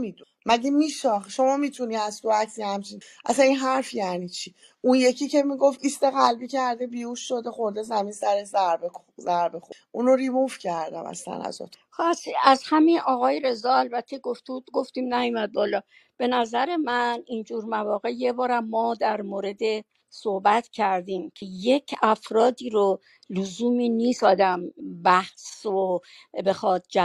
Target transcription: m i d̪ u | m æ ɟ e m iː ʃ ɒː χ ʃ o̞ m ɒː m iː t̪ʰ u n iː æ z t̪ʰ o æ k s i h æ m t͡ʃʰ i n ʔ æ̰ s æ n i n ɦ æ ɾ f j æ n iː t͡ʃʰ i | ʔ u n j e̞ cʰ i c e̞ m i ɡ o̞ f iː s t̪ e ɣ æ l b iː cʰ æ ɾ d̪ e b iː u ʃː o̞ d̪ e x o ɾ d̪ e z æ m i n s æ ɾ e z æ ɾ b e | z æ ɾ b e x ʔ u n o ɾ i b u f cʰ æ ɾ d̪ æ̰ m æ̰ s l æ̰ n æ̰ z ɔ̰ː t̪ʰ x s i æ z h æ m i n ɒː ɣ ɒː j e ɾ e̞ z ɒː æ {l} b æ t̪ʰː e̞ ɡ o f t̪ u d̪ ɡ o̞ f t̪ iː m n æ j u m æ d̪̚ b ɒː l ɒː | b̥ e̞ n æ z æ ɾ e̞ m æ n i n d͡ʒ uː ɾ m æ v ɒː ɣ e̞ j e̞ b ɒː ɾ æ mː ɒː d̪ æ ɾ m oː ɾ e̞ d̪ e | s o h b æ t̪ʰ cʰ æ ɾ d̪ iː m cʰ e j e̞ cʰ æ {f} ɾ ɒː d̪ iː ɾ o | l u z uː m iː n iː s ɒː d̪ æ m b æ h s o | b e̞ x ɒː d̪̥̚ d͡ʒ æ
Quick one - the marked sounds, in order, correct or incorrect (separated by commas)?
correct, correct